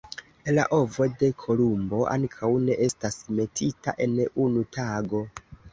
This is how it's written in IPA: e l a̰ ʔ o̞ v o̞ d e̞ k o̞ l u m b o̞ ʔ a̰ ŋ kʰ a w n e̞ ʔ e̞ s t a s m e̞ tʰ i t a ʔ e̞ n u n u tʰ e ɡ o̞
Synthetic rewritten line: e l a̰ ʔ o̞ v o̞ d e̞ kʰ o̞ l u m b o̞ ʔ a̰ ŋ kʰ a w n e̞ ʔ e̞ s t a s m e̞ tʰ i t a ʔ e̞ n u n u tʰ a ɡ o̞